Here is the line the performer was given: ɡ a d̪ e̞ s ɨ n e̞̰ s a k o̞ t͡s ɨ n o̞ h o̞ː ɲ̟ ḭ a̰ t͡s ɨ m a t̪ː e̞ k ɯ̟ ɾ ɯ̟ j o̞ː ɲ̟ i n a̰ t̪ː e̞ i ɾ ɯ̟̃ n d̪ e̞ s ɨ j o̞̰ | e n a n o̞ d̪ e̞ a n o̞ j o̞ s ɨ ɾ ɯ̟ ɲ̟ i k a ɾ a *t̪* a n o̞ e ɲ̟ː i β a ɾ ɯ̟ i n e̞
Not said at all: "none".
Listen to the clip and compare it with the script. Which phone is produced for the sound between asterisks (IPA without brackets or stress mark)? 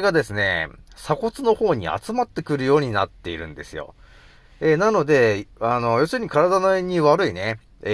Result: d̪